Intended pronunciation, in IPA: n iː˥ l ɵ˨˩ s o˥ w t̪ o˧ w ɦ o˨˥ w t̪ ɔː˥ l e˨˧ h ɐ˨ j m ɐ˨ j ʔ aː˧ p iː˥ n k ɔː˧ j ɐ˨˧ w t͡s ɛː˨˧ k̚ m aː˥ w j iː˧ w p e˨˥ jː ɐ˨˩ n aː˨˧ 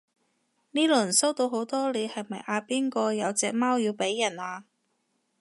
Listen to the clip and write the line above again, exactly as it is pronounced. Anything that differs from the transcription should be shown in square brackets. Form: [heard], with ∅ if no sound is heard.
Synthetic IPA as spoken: n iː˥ l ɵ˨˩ s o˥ w t̪ o˧ w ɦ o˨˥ w t̪ ɔː˥ l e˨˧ h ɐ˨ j m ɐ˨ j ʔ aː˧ p iː˥ n k ɔː˧ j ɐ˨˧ w t͡s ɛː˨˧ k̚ m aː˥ w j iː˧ w p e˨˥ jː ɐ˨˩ n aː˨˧